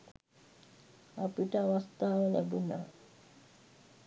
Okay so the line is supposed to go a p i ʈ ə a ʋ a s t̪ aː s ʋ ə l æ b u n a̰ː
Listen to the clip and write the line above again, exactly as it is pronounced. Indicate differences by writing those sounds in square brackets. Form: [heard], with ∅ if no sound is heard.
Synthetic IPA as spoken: a p i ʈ ə a ʋ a s t̪ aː [∅] ʋ ə l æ b u n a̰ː